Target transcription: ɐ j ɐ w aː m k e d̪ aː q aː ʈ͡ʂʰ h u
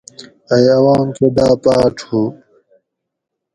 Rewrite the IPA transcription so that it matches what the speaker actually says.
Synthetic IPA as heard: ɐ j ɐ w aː m k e d̪ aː p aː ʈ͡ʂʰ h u